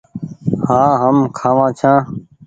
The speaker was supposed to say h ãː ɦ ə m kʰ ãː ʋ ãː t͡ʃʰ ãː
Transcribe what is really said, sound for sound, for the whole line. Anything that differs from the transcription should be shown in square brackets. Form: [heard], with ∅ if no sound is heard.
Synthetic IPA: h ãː ɦ ə m kʰ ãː ʋ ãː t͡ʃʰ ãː